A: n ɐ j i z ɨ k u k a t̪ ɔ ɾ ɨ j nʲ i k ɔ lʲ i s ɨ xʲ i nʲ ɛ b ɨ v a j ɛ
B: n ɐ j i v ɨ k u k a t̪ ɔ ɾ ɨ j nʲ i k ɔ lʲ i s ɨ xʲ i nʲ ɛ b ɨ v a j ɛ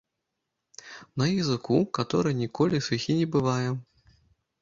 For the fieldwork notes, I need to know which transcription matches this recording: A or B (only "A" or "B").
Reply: A